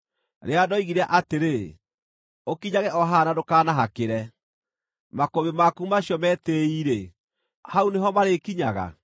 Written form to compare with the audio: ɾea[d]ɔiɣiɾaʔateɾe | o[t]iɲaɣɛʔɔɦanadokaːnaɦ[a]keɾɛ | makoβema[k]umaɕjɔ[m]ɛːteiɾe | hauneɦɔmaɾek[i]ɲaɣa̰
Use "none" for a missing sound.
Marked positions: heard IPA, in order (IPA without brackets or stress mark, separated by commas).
d, k, a, k, m, i